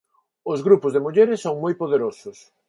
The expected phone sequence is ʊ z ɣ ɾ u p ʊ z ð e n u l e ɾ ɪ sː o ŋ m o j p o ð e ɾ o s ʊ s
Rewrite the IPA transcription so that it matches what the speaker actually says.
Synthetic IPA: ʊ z ɣ ɾ u p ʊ z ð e m u ʎ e ɾ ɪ sː o ŋ m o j p o ð e ɾ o s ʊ s